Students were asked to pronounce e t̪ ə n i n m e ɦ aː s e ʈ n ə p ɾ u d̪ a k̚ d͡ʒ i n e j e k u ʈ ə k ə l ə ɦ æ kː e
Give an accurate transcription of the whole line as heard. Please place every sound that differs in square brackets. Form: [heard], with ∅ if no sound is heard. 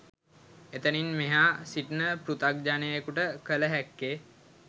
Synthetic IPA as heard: e t̪ ə n i n m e ɦ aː s [i] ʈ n ə p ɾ u [t̪] a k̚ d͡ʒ [a] n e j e k u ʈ ə k ə l ə ɦ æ kː e